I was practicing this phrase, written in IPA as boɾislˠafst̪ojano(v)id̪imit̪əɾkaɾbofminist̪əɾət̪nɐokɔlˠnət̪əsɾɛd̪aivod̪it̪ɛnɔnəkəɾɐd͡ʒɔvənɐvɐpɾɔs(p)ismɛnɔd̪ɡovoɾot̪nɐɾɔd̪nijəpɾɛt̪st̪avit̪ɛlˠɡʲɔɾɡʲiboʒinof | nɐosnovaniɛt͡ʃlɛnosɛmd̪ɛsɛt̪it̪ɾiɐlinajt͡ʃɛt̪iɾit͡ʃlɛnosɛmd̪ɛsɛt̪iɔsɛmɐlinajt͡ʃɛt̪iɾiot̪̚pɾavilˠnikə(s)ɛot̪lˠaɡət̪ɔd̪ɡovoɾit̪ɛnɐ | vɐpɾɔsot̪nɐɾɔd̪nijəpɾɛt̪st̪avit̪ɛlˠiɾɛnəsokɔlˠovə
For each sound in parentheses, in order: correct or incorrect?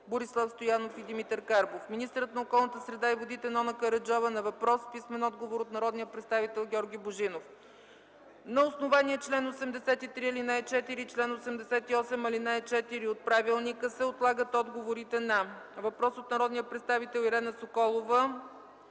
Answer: incorrect, correct, correct

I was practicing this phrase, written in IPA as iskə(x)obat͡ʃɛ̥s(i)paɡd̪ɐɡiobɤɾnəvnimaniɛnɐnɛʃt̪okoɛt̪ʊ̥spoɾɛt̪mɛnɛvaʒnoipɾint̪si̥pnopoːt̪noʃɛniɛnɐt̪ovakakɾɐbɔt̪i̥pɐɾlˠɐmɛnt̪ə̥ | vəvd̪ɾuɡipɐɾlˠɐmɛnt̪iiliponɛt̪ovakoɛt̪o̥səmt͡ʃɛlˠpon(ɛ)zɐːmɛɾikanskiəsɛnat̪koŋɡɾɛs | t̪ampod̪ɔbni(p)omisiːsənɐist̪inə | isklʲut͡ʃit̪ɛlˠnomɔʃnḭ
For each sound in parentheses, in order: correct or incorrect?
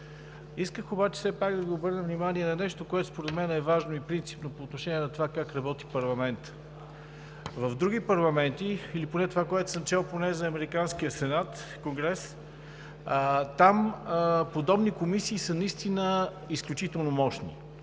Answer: correct, incorrect, correct, incorrect

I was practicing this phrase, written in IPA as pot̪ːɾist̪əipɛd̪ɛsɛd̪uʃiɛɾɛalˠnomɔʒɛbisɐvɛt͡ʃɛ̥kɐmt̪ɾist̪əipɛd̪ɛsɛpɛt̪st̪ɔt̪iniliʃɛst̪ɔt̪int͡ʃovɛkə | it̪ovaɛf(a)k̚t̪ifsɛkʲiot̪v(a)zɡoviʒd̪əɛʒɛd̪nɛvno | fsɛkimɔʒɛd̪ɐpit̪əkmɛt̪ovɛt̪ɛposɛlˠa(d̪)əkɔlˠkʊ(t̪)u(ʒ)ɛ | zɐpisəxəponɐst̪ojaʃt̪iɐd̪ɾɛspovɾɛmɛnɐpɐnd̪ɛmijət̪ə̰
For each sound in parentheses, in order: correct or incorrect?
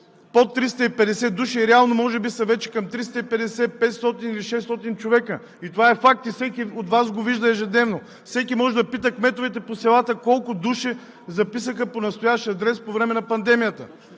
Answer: correct, correct, incorrect, incorrect, incorrect

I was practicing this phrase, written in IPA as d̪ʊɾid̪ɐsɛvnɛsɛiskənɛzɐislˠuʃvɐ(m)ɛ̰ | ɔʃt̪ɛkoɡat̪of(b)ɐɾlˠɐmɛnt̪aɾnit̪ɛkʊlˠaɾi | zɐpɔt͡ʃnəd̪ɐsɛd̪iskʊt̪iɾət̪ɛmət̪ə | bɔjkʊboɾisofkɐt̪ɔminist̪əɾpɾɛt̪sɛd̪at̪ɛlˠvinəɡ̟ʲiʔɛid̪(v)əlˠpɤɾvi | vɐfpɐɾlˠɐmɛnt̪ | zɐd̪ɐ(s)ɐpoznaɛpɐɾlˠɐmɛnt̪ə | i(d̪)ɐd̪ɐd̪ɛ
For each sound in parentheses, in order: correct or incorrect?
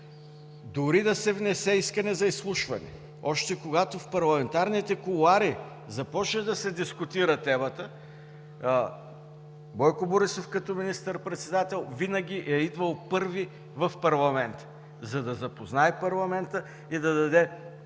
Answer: incorrect, incorrect, correct, incorrect, correct

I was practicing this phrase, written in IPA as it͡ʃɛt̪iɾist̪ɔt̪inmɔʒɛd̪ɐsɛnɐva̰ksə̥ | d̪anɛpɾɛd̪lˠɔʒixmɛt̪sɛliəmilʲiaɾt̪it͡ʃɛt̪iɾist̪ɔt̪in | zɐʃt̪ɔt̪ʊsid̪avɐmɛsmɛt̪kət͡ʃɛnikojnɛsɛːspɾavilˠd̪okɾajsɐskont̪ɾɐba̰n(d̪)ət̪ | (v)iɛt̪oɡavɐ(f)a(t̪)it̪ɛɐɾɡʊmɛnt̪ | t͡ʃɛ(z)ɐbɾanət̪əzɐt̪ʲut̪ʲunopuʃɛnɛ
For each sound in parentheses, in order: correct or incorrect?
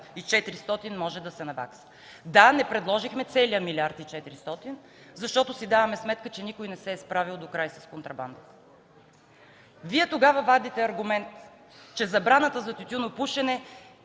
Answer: correct, correct, incorrect, incorrect, correct

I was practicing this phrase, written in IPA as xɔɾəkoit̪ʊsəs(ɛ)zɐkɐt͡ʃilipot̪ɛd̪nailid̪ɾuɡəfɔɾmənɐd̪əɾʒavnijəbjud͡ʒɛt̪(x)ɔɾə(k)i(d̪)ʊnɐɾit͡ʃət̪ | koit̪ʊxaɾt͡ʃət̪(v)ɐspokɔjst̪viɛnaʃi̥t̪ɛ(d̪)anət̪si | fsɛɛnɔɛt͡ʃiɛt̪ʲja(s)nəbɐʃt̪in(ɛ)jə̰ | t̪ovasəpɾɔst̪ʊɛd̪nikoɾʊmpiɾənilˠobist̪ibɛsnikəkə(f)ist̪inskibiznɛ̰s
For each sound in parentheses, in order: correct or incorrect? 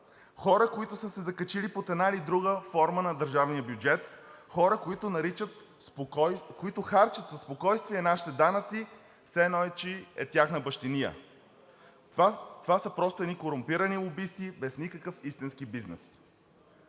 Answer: correct, correct, correct, incorrect, incorrect, correct, incorrect, incorrect, correct

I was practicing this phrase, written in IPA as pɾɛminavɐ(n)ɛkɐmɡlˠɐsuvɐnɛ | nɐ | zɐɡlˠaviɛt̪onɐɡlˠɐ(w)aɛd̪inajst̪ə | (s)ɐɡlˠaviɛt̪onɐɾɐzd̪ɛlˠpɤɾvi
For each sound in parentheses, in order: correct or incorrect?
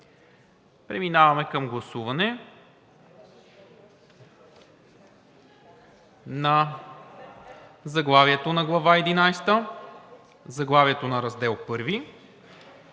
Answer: incorrect, incorrect, incorrect

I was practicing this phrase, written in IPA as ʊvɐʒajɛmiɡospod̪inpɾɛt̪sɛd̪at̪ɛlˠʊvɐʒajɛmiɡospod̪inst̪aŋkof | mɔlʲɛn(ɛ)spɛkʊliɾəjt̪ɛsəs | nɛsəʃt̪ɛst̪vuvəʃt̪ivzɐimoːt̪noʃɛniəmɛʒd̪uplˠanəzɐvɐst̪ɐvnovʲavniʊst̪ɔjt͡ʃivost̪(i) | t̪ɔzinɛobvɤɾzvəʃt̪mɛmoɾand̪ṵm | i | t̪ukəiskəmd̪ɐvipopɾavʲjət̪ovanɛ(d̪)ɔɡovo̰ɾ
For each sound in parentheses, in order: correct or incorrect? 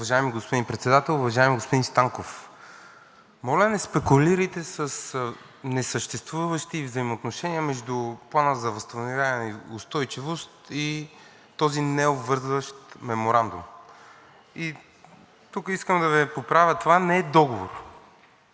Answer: correct, correct, correct

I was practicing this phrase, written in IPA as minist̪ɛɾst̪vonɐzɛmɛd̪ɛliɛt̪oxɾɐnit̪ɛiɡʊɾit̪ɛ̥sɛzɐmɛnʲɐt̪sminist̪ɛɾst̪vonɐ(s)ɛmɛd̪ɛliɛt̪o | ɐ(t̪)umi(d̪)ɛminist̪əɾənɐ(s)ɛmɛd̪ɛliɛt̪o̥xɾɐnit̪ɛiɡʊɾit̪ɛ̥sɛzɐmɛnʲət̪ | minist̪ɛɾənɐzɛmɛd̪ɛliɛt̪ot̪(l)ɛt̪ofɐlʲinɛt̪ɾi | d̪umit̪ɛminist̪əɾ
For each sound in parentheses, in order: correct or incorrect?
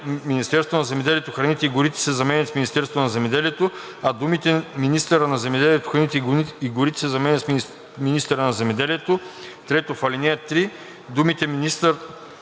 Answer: incorrect, incorrect, incorrect, incorrect, incorrect

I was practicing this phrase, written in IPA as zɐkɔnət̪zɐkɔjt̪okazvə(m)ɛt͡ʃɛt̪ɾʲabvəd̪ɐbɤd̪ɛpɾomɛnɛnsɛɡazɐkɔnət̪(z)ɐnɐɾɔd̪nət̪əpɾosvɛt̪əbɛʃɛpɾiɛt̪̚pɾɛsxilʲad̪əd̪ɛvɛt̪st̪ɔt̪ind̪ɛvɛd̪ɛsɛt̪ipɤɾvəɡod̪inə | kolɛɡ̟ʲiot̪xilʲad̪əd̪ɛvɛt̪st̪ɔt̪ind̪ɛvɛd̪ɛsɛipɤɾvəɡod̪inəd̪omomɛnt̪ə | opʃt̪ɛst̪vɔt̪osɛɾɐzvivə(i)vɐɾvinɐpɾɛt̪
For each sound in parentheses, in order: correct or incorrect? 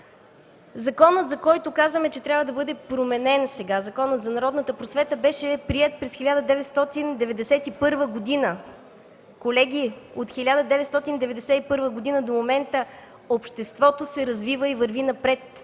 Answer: correct, correct, correct

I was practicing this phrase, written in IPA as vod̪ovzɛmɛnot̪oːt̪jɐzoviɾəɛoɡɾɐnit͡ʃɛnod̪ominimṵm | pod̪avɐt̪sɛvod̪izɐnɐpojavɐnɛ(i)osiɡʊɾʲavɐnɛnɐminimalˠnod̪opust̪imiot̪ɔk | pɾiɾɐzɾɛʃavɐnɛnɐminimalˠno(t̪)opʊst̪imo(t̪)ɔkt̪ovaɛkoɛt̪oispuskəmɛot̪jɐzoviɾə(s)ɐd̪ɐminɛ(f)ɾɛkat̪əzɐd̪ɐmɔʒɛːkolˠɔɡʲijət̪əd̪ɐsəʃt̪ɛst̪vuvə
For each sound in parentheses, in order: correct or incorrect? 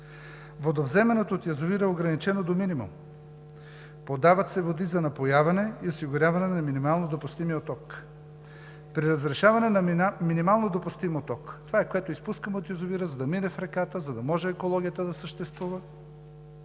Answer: correct, incorrect, correct, incorrect, correct

